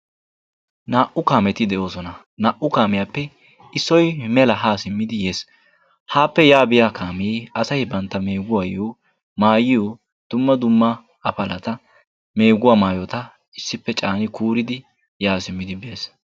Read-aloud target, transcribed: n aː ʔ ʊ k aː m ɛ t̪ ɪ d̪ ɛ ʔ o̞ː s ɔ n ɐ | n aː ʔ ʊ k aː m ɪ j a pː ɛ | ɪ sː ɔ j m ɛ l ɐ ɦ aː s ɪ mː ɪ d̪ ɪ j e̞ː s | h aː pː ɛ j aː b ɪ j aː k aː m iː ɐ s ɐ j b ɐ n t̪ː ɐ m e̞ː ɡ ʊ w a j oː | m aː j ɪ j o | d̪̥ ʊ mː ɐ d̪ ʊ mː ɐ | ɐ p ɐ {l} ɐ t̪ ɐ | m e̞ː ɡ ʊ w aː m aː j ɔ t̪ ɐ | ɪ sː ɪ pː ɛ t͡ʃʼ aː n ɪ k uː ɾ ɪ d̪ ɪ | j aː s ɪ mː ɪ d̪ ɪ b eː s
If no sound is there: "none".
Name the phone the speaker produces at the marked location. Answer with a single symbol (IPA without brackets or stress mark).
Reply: l